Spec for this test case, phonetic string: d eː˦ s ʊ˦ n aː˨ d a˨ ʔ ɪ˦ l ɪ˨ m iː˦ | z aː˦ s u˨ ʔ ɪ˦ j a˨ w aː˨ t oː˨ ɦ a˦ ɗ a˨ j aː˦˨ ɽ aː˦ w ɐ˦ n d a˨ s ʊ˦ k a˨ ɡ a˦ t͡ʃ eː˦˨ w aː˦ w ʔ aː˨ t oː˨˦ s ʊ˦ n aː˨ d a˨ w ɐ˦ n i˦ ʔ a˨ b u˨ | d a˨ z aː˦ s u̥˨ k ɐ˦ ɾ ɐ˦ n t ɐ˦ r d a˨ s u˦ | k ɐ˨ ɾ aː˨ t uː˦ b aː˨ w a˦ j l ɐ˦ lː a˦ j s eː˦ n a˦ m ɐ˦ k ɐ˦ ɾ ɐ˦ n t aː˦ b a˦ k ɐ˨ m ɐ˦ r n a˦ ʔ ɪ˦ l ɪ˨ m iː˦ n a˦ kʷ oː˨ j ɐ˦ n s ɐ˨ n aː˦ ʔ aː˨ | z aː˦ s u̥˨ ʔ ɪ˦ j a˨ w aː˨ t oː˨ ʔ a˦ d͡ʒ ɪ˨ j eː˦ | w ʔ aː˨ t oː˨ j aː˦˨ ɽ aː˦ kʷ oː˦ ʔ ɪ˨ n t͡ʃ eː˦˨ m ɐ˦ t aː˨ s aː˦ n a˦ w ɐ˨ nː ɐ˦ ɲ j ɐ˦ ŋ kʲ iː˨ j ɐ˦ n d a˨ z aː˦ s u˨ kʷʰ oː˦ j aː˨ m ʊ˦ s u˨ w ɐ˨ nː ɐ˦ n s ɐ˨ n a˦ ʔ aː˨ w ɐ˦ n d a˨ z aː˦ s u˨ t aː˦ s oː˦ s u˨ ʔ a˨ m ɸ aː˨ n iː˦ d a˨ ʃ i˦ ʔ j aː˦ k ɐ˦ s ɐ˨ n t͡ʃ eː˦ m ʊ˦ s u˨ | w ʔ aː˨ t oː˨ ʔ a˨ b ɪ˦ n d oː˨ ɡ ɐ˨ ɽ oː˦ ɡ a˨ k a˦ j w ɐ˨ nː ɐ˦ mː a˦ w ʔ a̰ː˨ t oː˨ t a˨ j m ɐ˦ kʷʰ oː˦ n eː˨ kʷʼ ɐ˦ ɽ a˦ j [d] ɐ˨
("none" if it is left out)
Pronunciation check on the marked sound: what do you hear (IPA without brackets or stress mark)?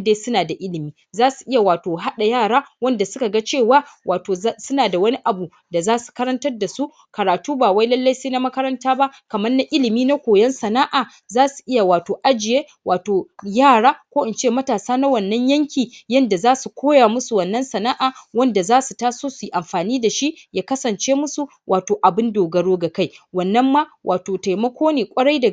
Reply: d